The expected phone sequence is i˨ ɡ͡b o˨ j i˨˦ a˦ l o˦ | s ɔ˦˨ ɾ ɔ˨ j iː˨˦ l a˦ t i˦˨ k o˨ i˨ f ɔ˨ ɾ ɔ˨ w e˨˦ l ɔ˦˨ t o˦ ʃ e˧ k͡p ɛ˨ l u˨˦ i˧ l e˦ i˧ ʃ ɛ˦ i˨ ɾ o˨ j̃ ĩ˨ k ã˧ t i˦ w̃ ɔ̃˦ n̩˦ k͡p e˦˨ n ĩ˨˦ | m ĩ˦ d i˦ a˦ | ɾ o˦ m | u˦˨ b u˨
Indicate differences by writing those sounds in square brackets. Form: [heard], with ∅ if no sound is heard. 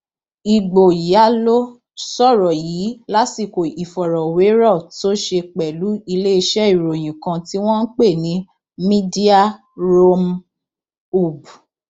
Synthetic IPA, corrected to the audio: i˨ ɡ͡b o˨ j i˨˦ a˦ l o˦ | s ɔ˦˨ ɾ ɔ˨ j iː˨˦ l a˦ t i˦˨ k o˨ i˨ f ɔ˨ ɾ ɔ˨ w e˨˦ [ɾ] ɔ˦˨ t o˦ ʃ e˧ k͡p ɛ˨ l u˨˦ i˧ l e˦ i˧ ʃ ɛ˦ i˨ ɾ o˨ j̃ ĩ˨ k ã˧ t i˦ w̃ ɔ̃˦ n̩˦ k͡p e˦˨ n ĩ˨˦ | m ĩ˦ d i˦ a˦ | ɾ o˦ m | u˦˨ b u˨